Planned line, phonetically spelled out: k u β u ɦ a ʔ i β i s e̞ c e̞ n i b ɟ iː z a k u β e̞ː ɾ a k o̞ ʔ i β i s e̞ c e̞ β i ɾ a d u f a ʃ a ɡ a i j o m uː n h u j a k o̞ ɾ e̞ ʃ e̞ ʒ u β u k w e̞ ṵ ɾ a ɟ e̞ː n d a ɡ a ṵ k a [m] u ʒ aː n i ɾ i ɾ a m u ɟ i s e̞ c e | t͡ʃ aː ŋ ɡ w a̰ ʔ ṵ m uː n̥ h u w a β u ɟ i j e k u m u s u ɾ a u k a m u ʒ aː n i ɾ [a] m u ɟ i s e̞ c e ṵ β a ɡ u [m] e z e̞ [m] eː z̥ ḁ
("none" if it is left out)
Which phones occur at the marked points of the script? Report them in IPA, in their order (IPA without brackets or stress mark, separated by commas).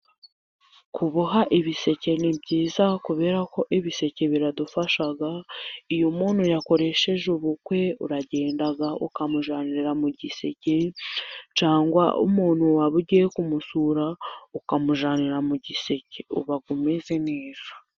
m, a, m, n